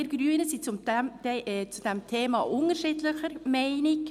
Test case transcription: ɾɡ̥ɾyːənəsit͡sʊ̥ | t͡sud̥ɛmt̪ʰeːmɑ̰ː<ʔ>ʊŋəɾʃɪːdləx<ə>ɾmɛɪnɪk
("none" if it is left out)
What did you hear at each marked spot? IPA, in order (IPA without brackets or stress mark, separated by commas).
ʔ, ə